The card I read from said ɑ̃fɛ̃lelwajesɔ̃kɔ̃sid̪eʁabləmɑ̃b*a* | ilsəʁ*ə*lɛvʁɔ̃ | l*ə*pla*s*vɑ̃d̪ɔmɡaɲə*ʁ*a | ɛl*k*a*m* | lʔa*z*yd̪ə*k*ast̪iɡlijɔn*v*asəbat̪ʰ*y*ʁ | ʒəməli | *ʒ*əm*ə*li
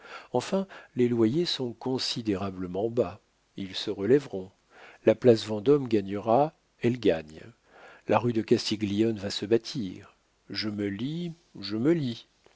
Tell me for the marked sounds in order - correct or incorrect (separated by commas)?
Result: correct, correct, incorrect, correct, correct, incorrect, incorrect, incorrect, correct, correct, incorrect, correct, correct